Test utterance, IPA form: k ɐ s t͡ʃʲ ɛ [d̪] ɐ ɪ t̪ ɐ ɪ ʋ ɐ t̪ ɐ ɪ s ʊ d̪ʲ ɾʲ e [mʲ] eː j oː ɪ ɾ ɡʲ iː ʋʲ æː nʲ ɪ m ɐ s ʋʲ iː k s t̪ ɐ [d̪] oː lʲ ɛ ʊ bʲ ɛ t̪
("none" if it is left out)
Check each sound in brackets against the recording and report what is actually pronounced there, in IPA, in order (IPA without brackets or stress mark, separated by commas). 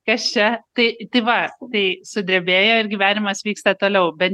t̪, bʲ, t̪